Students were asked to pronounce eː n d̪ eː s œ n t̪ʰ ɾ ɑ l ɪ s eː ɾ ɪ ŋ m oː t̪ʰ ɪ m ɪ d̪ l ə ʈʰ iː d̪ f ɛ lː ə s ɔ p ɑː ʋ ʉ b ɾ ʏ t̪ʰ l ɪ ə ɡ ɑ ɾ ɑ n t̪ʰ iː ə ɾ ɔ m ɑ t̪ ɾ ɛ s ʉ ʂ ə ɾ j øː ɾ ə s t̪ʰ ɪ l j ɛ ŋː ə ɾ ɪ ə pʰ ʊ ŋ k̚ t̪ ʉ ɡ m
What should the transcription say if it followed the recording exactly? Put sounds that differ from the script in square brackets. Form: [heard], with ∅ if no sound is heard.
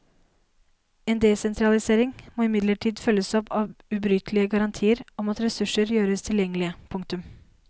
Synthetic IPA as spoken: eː n d̪ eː s [ɛ] n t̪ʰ ɾ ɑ l ɪ s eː ɾ ɪ ŋ m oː [∅] ɪ m ɪ d̪ l ə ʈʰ iː d̪ f [œ] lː ə s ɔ p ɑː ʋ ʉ b ɾ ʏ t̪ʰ l ɪ ə ɡ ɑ ɾ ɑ n t̪ʰ iː ə ɾ ɔ m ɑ t̪ ɾ ɛ s ʉ ʂ ə ɾ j øː ɾ ə s t̪ʰ ɪ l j ɛ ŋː ə [l] ɪ ə pʰ ʊ ŋ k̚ t̪ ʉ [∅] m